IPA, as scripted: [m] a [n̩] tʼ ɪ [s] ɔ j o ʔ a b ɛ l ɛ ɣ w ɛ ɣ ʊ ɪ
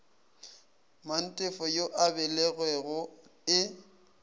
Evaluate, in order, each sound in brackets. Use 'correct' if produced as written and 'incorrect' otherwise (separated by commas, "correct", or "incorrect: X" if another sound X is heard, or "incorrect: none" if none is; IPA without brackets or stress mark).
correct, correct, incorrect: f